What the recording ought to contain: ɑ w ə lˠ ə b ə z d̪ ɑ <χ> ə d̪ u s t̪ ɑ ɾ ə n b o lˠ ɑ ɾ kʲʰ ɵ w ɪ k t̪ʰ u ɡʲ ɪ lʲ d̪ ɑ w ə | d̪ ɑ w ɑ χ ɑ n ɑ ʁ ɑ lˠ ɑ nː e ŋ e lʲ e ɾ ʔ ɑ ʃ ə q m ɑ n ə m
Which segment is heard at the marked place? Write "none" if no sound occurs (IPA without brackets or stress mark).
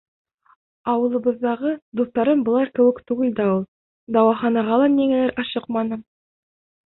ʁ